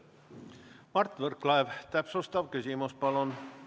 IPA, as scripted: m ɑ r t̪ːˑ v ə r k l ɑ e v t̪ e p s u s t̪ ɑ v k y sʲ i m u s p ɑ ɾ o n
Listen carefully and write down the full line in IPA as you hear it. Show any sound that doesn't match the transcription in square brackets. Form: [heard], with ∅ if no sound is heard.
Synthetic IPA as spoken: m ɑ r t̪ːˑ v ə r k l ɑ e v t̪ [æ] p s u s t̪ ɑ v k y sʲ i m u s p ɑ [l] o n